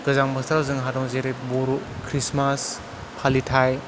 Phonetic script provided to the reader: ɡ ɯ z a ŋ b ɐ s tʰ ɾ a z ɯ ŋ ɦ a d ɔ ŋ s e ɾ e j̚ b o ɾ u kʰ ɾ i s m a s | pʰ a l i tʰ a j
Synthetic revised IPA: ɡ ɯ z a ŋ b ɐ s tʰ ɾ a z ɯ ŋ ɦ a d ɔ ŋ z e ɾ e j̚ b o ɾ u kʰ ɾ i s m a s | pʰ a l i tʰ a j